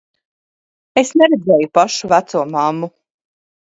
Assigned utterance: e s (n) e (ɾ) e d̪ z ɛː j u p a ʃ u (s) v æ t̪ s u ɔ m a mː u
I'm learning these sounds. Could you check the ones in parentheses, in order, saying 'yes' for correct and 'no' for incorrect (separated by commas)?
yes, yes, no